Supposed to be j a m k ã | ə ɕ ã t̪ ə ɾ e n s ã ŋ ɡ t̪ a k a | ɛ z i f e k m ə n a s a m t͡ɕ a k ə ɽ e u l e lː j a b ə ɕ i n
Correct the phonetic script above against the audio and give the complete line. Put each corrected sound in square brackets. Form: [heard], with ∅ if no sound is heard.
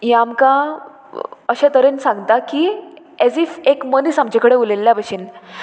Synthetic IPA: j a m k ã | ə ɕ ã t̪ ə ɾ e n s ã ŋ ɡ t̪ a k [i] | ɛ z i f e k m ə n [i] s a m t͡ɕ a k ə ɽ e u l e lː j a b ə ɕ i n